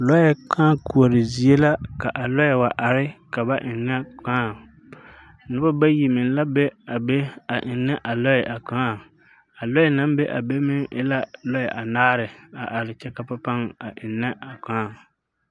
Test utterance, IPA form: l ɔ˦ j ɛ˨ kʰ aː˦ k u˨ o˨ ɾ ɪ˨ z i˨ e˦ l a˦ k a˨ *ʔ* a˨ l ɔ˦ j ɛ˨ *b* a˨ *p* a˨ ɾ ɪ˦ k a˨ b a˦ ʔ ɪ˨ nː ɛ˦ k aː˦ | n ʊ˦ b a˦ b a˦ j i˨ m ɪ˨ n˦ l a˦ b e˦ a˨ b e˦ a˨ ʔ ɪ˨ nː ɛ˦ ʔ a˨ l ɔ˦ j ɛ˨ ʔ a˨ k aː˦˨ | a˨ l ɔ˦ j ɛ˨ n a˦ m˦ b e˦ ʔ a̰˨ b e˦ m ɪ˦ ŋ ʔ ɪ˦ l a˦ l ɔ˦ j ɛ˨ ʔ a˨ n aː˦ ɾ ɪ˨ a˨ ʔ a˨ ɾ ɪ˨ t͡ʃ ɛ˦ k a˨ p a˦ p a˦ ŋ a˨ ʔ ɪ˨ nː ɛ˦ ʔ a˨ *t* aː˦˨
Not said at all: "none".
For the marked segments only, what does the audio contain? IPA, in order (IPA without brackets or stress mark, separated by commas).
ʔ, w, ʔ, k